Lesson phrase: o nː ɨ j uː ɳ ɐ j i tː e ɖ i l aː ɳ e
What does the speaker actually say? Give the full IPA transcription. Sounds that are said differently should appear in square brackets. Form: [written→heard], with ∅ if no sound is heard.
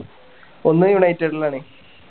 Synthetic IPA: o nː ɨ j [uː→u] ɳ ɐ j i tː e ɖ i l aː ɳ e